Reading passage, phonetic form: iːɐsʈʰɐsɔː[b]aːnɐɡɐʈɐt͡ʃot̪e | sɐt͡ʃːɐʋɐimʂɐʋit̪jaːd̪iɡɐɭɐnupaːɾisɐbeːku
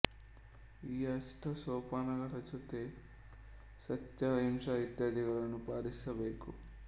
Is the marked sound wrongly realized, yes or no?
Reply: yes